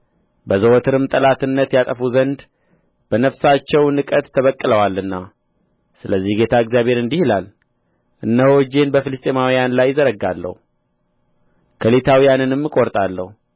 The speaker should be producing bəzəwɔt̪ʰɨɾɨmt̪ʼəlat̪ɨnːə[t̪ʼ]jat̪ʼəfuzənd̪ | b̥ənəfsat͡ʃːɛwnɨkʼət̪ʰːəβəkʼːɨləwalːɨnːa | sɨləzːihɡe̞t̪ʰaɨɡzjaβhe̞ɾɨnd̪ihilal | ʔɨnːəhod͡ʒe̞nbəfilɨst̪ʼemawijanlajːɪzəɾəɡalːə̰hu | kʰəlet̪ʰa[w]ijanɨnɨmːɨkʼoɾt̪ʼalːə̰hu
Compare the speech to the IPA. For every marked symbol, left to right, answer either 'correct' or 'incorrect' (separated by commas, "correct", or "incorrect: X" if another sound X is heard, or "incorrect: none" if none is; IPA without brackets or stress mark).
incorrect: t̪, correct